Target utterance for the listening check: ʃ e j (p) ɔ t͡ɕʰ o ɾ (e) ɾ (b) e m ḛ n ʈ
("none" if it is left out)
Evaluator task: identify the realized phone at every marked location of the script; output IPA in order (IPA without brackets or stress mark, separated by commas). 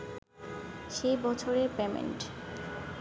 b, e, p